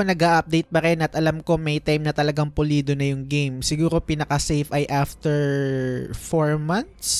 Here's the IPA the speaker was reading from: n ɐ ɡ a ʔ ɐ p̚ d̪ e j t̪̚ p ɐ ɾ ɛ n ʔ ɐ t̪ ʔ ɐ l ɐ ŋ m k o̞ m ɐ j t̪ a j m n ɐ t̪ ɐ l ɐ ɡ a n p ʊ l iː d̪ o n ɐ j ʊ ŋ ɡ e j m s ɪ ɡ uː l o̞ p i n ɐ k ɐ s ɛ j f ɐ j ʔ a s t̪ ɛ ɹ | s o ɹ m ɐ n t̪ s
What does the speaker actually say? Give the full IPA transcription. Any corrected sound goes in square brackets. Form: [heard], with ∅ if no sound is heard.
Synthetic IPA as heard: n ɐ ɡ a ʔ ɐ p̚ d̪ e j t̪̚ p ɐ ɾ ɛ n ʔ ɐ t̪ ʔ ɐ l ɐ [∅] m k o̞ m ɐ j t̪ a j m n ɐ t̪ ɐ l ɐ ɡ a [ŋ] p ʊ l iː d̪ o n ɐ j ʊ ŋ ɡ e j m s ɪ ɡ uː [ɾ] o̞ p i n ɐ k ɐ s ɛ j f ɐ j ʔ a [f] t̪ ɛ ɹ | [f] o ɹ m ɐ n t̪ s